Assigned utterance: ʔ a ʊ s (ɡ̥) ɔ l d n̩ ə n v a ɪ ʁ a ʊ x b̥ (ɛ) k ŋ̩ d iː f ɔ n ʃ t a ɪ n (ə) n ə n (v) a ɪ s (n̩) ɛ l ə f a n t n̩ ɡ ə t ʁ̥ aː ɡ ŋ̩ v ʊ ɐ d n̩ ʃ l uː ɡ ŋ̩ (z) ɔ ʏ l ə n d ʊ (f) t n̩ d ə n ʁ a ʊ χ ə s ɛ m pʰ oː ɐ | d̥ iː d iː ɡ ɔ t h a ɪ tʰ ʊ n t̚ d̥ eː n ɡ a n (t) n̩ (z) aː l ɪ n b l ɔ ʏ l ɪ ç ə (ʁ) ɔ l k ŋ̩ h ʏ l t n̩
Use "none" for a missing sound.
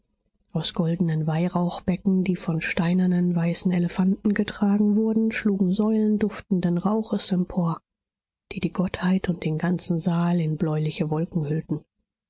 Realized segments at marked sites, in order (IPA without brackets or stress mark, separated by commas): ɡ̥, ɛ, ɐ, v, n̩, z, f, t͡s, z, v